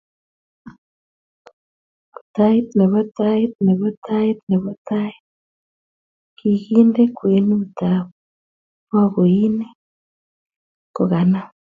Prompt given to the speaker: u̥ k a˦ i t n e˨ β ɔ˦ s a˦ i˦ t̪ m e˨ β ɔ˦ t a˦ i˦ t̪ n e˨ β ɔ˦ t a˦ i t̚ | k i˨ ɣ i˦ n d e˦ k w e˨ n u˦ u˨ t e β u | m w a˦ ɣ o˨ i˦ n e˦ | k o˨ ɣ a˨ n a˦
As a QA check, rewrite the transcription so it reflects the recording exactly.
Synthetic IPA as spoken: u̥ t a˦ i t n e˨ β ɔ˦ t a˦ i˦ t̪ n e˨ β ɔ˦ t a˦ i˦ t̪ n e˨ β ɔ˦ t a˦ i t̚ | k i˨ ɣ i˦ n d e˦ k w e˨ n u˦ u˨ t a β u | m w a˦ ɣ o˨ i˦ n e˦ | k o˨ ɣ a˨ n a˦